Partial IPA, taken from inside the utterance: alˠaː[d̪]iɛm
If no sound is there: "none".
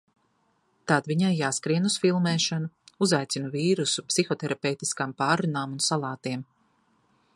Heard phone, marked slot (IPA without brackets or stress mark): t̪